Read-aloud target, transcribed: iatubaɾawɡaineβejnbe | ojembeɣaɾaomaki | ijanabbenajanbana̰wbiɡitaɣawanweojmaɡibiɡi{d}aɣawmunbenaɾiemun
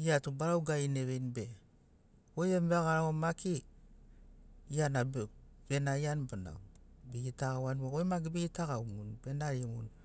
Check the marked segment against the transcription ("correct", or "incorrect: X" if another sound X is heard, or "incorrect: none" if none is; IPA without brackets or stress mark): incorrect: t